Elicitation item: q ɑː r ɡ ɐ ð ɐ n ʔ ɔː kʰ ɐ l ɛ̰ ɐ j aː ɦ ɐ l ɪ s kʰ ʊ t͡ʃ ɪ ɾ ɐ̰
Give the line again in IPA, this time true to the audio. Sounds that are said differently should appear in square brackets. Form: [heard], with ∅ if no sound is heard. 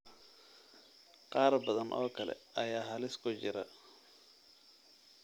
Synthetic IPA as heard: q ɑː r [b] ɐ ð ɐ n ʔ ɔː kʰ ɐ l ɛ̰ ɐ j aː ɦ ɐ l ɪ s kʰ ʊ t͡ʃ ɪ ɾ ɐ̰